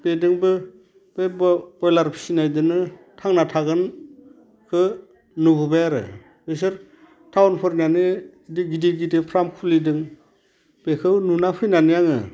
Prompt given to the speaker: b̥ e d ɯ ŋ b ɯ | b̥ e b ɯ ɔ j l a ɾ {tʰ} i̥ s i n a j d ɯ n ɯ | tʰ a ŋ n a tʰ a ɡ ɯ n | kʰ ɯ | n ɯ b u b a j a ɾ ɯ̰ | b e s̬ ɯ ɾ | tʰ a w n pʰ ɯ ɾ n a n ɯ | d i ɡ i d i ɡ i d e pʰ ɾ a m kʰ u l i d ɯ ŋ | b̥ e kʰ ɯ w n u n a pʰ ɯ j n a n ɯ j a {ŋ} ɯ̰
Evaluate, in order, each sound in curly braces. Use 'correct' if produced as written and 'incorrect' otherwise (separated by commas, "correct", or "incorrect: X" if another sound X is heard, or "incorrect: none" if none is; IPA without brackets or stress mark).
incorrect: pʰ, correct